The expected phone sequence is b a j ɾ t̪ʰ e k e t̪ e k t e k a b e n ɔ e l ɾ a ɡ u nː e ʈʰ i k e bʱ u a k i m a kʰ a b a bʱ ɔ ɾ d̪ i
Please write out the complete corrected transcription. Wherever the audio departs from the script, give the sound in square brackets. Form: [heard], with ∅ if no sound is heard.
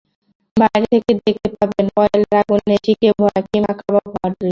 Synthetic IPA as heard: b a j ɾ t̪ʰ e k e [d̪] e k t e [p] a b e n ɔ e l ɾ a ɡ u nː e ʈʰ i k e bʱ [ɔ] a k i m a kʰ a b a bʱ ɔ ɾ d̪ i